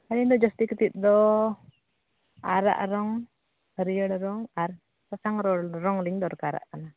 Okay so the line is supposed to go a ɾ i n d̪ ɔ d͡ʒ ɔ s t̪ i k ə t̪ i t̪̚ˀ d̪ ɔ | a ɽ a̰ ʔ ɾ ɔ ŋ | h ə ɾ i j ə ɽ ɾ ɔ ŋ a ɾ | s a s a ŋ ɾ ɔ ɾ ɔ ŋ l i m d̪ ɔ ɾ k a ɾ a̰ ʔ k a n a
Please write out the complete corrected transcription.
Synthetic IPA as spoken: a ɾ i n d̪ ɔ d͡ʒ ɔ s t̪ i k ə t̪ i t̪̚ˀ d̪ ɔ | a ɾ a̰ ʔ ɾ ɔ ŋ | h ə ɾ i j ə ɽ ɾ ɔ ŋ a ɾ | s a s a ŋ ɾ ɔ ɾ ɔ ŋ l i ɲ d̪ ɔ ɾ k a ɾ a̰ ʔ k a n a